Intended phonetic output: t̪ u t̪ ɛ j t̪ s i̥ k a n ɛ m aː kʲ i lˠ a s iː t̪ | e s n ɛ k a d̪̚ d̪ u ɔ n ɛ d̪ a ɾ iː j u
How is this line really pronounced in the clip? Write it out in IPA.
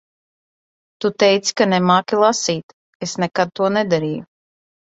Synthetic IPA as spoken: t̪ u t̪ ɛ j t̪ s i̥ k a n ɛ m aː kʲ i lˠ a s iː t̪ | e s n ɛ k a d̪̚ t̪ u ɔ n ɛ d̪ a ɾ iː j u